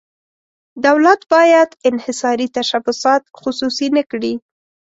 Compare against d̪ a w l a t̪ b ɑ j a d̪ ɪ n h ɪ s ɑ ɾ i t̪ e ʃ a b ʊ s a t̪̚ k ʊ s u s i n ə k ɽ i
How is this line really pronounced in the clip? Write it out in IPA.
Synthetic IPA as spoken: d̪ a w l a t̪ b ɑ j a d̪ ɪ n h ɪ s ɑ ɾ i t̪ a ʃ a b ʊ s ɑ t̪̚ x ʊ s u s i n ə k ɽ i